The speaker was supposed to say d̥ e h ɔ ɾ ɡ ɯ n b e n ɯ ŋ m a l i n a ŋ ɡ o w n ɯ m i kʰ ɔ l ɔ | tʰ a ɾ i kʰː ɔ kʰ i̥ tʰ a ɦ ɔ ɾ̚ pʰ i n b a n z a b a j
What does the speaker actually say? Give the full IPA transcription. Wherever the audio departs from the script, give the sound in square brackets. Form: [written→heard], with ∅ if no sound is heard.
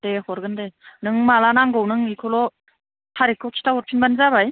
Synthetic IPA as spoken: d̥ e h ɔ ɾ ɡ ɯ n [b→d] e n ɯ ŋ m a l [i→a] n a ŋ ɡ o w n ɯ [m→ŋ] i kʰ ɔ l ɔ | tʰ a ɾ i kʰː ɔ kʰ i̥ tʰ a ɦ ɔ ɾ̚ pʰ i n b a n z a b a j